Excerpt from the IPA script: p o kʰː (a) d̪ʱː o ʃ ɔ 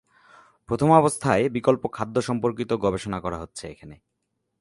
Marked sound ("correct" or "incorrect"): correct